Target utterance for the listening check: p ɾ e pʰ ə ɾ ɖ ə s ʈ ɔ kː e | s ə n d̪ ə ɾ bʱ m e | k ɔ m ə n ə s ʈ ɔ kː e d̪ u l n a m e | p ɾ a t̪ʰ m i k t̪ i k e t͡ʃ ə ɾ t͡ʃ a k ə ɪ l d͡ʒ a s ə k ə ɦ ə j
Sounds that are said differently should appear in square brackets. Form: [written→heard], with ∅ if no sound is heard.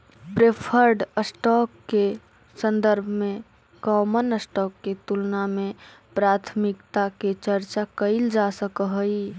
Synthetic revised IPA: p ɾ e pʰ ə ɾ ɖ ə s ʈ ɔ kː e | s ə n d̪ ə ɾ bʱ m e | k ɔ m ə n ə s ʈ ɔ kː e [d̪→t̪] u l n a m e | p ɾ a t̪ʰ m i k t̪ [i→a] k e t͡ʃ ə ɾ t͡ʃ a k ə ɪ l d͡ʒ a s ə k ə ɦ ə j